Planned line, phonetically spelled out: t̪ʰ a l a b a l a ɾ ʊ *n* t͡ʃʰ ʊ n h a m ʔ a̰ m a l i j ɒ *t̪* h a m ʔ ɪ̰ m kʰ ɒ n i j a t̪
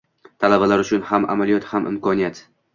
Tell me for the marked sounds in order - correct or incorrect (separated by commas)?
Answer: incorrect, correct